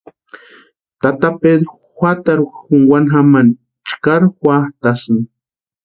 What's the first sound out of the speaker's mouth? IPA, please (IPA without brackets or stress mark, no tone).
t̪